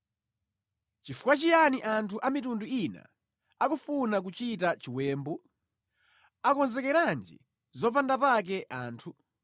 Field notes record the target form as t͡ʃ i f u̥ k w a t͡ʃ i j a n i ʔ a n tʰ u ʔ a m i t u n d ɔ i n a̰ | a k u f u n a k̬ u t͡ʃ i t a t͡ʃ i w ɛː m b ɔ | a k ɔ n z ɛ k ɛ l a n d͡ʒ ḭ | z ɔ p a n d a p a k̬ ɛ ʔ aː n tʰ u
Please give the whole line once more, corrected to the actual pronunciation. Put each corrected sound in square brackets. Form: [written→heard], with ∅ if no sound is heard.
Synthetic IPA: t͡ʃ i f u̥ k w a t͡ʃ i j a n i ʔ a n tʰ u ʔ a m i t u n d [ɔ→u] i n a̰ | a k u f u n a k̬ u t͡ʃ i t a t͡ʃ i w ɛː m b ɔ | a k ɔ n z ɛ k ɛ [l→ɾ] a n d͡ʒ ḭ | z ɔ p a n d a p a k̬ ɛ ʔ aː n tʰ u